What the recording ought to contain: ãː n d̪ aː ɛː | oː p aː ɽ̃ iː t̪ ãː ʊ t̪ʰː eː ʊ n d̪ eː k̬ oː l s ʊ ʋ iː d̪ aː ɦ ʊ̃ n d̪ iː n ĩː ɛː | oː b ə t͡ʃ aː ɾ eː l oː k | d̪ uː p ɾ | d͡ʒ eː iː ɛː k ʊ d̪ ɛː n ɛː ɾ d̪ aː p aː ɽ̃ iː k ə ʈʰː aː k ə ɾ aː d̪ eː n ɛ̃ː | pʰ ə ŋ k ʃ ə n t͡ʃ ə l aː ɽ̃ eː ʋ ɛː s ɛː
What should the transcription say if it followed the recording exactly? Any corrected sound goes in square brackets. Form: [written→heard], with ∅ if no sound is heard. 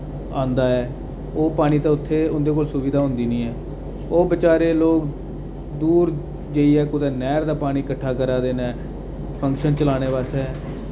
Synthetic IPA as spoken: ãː n d̪ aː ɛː | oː p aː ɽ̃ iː t̪ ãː ʊ t̪ʰː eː ʊ n d̪ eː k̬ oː l s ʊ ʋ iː d̪ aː ɦ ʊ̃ n d̪ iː n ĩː ɛː | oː b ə t͡ʃ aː ɾ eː l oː k | d̪ uː [p→∅] ɾ | d͡ʒ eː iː ɛː k ʊ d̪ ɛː n ɛː ɾ d̪ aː p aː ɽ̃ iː k ə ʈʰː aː k ə ɾ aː d̪ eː n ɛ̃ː | pʰ ə ŋ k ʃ ə n t͡ʃ ə l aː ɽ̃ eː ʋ [ɛː→aː] s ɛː